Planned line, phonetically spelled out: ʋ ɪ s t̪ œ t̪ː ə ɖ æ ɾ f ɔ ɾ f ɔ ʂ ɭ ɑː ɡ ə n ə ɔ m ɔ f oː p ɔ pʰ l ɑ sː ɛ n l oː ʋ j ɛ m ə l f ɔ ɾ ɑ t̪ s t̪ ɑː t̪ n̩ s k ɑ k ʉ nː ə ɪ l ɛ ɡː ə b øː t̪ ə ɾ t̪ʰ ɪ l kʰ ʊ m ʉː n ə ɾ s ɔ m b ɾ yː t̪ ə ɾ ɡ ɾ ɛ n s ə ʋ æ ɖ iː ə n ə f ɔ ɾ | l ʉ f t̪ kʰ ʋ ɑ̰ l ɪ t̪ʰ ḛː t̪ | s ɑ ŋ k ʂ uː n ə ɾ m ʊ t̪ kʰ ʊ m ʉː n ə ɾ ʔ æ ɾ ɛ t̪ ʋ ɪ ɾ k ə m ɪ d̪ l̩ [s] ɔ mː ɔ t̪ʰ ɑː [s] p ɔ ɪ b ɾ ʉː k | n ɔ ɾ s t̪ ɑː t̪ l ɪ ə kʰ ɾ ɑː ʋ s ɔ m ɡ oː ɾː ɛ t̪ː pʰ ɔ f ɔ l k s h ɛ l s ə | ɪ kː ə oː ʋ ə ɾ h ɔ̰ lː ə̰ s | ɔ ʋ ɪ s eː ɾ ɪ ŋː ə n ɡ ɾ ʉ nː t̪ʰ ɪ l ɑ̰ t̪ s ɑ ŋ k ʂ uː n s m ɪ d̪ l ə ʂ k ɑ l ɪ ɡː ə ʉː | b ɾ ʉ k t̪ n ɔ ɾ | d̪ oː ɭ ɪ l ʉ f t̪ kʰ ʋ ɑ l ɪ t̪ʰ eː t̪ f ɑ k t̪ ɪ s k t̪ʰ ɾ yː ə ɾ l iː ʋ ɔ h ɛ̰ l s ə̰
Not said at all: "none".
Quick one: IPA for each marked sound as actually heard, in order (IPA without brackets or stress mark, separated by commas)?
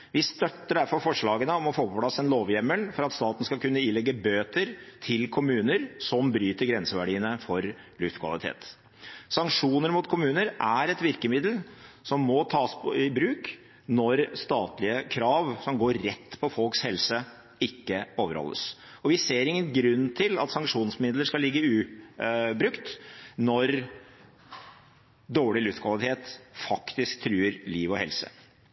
s, s